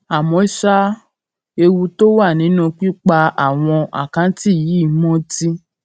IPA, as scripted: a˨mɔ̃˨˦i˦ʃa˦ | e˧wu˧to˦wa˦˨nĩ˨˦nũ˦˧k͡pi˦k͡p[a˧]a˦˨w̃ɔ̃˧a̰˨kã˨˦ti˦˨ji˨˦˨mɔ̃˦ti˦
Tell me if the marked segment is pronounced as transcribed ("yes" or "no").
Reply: yes